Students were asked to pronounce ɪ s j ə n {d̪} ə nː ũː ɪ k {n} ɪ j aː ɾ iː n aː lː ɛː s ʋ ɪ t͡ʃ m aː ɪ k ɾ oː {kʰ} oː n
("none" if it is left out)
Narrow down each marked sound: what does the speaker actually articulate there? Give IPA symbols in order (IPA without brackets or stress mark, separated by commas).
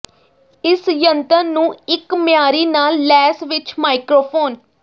t̪, m, pʰ